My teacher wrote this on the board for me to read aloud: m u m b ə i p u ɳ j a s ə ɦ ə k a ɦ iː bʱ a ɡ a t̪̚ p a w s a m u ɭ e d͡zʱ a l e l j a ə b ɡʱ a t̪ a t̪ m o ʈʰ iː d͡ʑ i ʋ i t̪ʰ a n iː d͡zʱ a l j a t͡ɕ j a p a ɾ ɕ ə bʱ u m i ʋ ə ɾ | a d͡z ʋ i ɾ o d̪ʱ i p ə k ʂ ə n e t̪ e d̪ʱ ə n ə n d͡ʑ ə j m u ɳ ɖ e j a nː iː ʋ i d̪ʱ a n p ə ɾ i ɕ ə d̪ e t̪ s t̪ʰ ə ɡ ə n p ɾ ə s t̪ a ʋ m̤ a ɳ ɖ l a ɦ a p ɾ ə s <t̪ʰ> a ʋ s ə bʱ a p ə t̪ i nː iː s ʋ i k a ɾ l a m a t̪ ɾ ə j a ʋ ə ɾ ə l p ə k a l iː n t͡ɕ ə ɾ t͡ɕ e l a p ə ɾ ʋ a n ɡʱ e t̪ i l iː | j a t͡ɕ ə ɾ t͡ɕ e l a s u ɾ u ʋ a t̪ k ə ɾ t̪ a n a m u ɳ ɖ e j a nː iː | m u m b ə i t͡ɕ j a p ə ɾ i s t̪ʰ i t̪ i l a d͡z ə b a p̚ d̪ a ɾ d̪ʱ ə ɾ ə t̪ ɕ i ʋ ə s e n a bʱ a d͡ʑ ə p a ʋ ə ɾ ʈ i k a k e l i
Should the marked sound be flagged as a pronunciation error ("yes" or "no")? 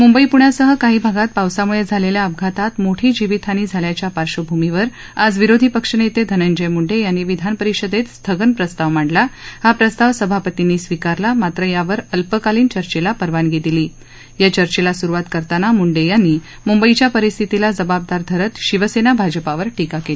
yes